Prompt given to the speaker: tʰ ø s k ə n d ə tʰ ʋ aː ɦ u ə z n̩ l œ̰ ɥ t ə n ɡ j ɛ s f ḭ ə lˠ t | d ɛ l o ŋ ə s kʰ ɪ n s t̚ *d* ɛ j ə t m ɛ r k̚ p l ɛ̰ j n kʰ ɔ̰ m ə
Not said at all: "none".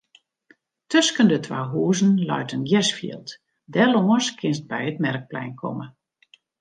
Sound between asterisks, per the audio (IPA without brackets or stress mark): b